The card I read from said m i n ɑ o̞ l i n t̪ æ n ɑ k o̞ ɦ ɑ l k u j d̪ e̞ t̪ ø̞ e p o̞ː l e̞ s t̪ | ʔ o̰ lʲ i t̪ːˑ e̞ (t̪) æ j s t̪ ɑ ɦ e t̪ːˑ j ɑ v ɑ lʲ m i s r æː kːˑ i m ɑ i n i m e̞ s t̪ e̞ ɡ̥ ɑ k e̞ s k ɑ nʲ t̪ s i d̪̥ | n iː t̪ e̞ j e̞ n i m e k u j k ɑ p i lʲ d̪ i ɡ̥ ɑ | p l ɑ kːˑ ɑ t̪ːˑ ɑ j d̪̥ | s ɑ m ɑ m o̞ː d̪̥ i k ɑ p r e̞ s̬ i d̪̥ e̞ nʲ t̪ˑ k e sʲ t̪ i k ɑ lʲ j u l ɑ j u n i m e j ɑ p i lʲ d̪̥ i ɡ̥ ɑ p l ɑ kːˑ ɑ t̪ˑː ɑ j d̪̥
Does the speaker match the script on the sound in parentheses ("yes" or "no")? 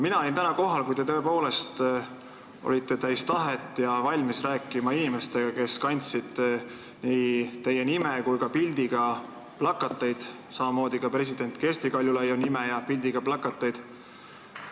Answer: yes